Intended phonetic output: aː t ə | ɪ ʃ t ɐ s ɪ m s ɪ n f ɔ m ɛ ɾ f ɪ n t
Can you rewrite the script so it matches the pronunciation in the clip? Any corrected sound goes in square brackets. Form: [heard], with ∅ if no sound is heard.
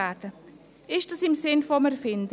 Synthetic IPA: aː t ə | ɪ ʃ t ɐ s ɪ m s ɪ n f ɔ m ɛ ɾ f ɪ n [d]